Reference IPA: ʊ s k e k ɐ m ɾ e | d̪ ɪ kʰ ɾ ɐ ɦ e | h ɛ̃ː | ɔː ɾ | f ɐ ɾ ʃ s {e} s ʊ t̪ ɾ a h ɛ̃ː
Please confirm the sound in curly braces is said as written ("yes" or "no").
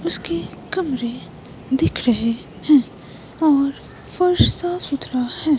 no